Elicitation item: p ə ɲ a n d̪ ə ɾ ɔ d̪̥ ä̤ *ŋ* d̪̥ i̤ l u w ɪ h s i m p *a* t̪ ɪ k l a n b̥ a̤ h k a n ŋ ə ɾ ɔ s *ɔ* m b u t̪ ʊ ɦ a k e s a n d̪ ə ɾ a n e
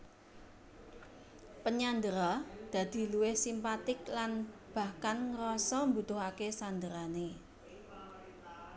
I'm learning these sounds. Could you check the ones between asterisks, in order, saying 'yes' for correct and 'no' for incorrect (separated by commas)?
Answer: no, yes, yes